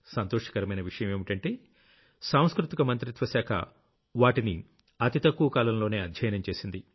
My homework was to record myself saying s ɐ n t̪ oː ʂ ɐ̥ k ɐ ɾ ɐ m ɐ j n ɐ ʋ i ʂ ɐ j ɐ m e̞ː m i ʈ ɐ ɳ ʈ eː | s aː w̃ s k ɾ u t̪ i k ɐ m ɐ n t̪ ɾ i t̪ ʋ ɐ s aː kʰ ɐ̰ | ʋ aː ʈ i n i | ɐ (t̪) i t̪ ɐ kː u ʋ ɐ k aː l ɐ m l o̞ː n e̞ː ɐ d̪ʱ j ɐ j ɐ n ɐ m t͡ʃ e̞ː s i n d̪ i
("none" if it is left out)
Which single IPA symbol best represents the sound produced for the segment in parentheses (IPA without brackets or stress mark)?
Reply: t̪